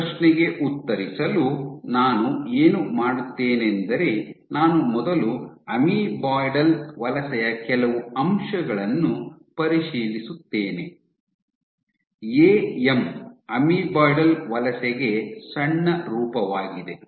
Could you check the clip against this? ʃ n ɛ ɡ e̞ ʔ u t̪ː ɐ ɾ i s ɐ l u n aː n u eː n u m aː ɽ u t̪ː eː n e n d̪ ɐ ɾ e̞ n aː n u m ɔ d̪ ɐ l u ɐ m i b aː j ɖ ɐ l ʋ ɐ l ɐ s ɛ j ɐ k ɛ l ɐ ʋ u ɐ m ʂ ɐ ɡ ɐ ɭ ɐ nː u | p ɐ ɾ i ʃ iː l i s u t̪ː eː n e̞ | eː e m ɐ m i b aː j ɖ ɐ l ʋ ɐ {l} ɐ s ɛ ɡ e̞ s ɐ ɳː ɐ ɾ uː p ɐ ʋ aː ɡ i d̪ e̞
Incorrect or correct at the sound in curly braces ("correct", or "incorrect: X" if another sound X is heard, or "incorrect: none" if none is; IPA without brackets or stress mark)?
correct